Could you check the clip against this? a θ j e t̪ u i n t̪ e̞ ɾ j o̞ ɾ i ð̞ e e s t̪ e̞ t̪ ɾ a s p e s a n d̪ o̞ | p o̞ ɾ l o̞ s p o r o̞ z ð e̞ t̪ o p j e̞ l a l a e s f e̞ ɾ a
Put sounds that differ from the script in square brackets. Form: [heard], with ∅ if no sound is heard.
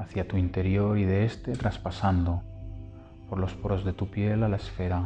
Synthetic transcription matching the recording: a θ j [a] t̪ u i n t̪ e̞ ɾ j o̞ ɾ i ð̞ e e s t̪ e̞ t̪ ɾ a s p [a] s a n d̪ o̞ | p o̞ ɾ l o̞ s p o [ɾ] o̞ z ð e̞ t̪ [u] p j e̞ l a l a e s f e̞ ɾ a